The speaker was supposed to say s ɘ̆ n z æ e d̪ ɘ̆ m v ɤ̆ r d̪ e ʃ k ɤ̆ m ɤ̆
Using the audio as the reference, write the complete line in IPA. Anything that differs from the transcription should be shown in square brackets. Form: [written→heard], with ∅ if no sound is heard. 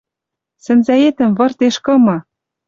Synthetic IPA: s ɘ̆ n z æ e [d̪→t̪] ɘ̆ m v ɤ̆ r [d̪→t̪] e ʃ k ɤ̆ m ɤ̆